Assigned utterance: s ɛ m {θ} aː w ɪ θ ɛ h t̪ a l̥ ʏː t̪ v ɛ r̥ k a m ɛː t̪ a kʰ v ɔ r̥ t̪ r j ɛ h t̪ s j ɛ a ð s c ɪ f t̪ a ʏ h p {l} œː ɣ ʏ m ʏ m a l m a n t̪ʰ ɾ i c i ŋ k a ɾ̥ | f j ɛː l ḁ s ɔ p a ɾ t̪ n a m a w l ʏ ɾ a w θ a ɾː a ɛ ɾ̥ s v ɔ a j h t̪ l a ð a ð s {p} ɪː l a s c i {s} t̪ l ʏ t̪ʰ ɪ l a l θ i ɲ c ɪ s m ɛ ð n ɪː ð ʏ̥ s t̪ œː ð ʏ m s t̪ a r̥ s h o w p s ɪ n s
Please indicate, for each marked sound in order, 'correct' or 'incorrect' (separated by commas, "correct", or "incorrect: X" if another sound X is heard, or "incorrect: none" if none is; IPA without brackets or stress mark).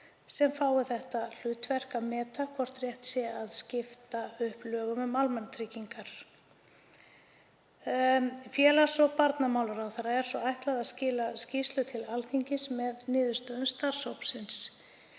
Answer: incorrect: f, correct, incorrect: c, correct